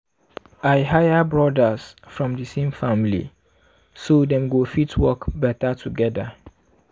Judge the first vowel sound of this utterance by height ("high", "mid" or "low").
low